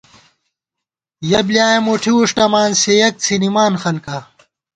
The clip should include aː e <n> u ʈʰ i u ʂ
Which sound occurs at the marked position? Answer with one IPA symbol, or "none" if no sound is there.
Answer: m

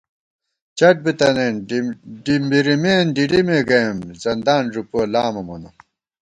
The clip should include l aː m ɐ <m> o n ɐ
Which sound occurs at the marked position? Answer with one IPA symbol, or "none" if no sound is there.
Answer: m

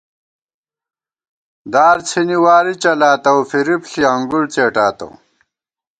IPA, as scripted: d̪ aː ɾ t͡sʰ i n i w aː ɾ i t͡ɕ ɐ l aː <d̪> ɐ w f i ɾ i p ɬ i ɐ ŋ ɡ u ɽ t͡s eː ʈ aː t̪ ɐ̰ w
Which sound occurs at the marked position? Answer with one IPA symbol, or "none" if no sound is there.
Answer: t̪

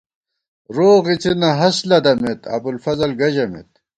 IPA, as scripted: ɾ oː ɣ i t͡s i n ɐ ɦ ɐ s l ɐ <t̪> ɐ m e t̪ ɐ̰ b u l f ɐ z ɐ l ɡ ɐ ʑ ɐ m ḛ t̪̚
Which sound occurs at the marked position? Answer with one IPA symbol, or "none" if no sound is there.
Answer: d̪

